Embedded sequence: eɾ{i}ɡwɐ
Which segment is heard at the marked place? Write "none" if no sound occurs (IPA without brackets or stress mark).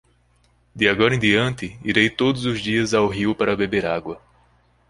a